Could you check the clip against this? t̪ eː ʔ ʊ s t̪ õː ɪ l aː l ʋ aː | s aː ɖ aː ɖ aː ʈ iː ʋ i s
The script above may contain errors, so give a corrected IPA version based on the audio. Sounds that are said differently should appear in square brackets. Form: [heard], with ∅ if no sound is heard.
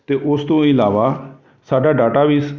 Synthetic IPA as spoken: t̪ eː ʔ ʊ s t̪ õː ɪ l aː [∅] ʋ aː | s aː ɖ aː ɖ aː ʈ [aː] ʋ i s